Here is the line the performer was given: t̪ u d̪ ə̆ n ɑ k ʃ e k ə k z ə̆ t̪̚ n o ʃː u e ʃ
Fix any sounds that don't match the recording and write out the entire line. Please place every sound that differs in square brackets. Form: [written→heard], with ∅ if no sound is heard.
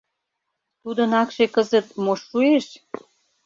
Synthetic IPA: t̪ u d̪ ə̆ n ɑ k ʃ e k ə [k→∅] z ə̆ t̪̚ [n→m] o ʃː u e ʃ